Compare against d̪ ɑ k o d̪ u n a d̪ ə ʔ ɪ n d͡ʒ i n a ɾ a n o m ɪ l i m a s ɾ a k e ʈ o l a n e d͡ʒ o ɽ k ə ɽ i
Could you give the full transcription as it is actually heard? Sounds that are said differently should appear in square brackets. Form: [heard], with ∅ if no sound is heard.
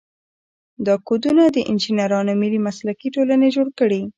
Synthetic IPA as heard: d̪ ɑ k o d̪ u n a d̪ ə ʔ ɪ n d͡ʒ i n a ɾ [ɑ] n o m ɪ l i m a s [l] a k [i] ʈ o l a n e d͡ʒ o ɽ k ə ɽ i

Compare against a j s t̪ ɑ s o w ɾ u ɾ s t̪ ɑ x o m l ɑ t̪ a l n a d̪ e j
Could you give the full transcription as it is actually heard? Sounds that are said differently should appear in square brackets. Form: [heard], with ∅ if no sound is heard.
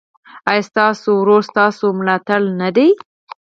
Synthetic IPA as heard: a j s t̪ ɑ s o w ɾ [o] ɾ s t̪ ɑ [s] o m l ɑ t̪ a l n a d̪ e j

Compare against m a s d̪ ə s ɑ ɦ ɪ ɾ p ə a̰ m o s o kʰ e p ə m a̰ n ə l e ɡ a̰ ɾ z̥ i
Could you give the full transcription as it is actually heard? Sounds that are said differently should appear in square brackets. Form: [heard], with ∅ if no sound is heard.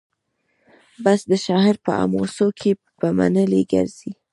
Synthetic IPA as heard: [b] a s d̪ ə [ʃ] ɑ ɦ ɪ ɾ p ə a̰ m o s o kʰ e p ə m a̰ n ə l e ɡ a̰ ɾ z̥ i

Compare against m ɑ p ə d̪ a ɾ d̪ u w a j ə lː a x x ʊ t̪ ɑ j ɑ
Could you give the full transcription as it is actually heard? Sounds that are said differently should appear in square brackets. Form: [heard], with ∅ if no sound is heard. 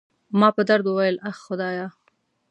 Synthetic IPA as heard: m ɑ p ə d̪ a ɾ d̪ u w a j ə [l] a x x ʊ [d̪] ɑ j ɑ

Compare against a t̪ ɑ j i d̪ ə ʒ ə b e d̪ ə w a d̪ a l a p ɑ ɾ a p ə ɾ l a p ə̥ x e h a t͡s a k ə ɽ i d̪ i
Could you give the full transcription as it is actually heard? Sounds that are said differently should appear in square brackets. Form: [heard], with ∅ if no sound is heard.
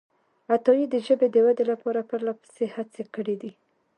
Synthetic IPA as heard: a t̪ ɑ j i d̪ ə ʒ ə b e d̪ ə w a d̪ [e] l a p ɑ ɾ a p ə ɾ l a p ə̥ [s] e h a t͡s [e] k ə ɽ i d̪ i

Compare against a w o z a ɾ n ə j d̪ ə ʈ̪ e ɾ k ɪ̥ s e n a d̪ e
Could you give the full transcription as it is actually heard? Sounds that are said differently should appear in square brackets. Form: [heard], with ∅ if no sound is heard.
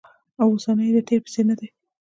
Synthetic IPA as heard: a w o [s] a [∅] n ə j d̪ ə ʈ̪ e ɾ [p] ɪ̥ s e n a d̪ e

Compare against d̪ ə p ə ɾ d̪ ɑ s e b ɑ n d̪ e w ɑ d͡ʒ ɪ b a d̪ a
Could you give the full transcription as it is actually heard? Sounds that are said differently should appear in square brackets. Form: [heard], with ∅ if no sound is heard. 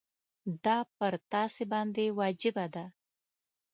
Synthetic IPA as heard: d̪ [ɑ] p ə ɾ [t̪] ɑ s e b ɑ n d̪ e w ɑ d͡ʒ ɪ b a d̪ a

